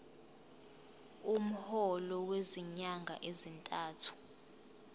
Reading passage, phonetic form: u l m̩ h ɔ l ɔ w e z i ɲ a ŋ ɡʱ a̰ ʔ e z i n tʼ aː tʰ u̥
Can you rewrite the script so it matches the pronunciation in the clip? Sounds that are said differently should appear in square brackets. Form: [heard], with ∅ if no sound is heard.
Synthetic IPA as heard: u [∅] m̩ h ɔ l ɔ w e z i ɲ a ŋ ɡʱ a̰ ʔ e z i n tʼ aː tʰ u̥